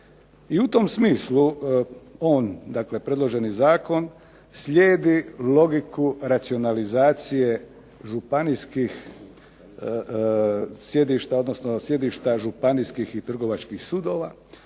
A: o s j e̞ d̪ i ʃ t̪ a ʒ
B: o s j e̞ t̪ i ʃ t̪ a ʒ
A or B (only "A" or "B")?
A